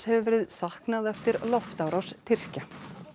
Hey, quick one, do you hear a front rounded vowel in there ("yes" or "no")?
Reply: no